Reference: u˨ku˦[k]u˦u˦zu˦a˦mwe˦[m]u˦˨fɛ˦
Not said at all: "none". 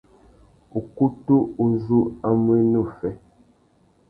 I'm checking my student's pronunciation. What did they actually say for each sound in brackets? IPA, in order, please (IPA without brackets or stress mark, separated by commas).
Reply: t, n